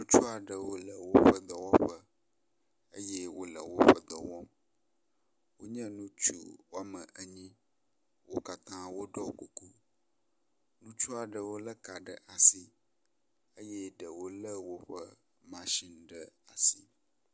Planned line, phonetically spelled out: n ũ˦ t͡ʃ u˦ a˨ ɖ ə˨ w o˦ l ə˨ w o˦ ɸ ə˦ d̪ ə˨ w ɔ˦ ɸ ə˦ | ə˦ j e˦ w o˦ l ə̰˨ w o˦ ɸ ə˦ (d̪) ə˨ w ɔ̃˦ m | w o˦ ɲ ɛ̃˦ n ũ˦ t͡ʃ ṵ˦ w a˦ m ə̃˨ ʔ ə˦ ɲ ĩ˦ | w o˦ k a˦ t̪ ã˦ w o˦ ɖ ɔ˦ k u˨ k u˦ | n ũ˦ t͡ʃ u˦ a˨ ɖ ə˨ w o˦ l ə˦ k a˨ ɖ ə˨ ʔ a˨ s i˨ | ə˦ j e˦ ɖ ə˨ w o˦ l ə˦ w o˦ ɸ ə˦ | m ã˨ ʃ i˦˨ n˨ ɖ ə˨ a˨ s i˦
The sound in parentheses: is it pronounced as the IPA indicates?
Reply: yes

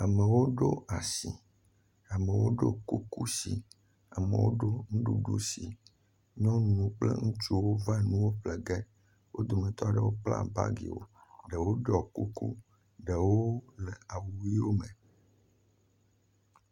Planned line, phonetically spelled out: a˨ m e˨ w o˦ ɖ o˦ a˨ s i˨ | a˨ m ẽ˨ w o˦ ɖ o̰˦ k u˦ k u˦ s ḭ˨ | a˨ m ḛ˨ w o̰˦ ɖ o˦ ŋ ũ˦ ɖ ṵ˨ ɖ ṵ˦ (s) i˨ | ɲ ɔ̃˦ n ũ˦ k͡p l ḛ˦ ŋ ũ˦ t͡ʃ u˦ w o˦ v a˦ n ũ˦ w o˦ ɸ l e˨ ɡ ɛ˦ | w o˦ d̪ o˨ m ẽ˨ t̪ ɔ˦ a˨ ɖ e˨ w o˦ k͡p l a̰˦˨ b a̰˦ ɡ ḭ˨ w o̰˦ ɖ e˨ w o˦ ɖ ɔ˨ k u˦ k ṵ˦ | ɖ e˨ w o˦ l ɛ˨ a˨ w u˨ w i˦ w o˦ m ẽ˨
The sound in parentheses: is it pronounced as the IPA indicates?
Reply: yes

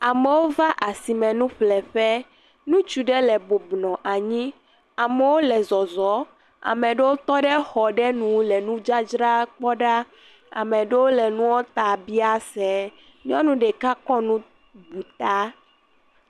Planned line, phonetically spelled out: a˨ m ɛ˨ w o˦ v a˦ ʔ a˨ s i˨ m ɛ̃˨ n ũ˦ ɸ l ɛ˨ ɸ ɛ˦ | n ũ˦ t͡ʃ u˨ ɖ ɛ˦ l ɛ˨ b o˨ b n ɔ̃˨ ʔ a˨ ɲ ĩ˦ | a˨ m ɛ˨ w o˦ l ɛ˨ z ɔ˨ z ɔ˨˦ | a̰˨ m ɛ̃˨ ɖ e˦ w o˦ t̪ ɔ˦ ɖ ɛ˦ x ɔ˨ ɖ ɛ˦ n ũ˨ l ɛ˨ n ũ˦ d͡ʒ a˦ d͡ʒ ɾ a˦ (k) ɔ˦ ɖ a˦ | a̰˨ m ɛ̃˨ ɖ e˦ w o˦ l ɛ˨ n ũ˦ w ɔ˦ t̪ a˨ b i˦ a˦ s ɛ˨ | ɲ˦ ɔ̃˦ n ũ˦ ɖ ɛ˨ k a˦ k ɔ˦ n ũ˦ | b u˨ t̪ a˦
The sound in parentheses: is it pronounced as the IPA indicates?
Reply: no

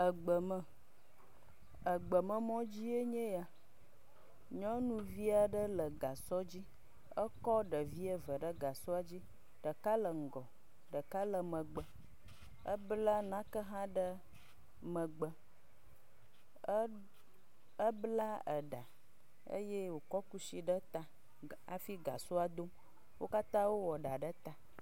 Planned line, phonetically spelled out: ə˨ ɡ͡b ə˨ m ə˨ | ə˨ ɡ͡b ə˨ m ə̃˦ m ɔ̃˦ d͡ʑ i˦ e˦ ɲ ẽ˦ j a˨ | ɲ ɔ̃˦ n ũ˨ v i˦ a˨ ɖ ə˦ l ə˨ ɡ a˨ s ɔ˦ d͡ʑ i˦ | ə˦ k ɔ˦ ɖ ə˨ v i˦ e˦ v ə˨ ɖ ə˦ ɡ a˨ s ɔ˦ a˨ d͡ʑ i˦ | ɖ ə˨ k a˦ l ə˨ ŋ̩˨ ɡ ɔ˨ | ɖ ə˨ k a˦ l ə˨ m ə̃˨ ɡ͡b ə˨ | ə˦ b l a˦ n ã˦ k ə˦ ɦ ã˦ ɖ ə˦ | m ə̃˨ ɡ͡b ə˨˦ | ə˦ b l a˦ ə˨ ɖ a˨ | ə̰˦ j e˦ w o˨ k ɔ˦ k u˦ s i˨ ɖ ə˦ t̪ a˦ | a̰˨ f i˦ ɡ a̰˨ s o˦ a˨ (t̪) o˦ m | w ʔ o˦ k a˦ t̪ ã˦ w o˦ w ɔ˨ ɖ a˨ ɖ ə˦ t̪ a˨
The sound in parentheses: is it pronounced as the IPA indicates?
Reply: no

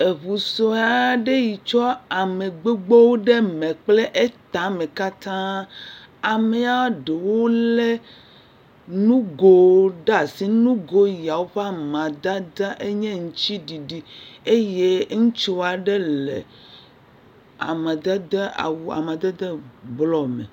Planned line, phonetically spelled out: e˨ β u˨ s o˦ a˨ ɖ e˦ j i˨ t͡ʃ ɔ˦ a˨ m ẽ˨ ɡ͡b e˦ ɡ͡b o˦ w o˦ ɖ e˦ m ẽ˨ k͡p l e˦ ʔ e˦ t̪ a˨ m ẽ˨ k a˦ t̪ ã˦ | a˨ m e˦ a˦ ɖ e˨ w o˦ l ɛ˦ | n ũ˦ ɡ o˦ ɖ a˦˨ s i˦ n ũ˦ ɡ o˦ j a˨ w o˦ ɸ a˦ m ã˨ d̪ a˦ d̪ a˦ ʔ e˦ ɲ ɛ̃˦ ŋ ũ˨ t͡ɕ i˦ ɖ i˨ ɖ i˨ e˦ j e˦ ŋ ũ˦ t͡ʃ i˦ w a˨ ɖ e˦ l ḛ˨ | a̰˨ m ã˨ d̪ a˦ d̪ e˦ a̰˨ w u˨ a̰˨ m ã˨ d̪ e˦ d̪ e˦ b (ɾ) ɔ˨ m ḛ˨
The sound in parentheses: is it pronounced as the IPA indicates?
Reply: no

